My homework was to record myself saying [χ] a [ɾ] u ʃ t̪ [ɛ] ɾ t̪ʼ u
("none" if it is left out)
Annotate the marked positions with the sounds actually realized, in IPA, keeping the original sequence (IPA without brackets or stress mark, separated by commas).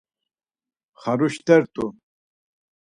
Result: χ, ɾ, ɛ